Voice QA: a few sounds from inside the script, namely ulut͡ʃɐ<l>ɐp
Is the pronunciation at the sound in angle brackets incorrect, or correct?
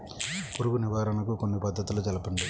correct